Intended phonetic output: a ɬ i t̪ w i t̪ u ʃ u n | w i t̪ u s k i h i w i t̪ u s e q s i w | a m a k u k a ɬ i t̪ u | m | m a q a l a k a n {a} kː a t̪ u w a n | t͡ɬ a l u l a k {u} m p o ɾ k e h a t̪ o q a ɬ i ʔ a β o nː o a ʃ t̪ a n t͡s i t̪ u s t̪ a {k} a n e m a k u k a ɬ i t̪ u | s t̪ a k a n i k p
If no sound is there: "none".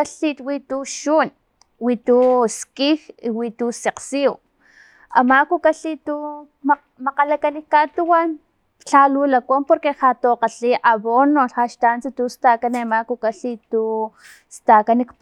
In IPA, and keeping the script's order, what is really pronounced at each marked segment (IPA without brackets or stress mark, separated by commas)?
i, o, k